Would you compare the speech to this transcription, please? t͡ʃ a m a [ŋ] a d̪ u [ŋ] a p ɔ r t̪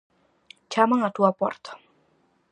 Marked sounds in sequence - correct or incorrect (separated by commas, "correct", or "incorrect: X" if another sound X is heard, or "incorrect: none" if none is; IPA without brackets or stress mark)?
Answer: correct, incorrect: none